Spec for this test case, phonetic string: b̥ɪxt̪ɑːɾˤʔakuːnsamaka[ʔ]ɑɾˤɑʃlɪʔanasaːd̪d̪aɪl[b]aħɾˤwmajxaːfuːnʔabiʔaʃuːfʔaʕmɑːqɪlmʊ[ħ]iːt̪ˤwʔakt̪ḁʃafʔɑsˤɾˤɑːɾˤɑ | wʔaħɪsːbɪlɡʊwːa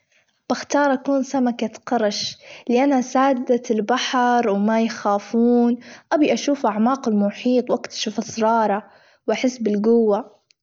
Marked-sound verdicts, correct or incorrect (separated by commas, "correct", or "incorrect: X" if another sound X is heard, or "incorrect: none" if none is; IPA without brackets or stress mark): incorrect: q, correct, correct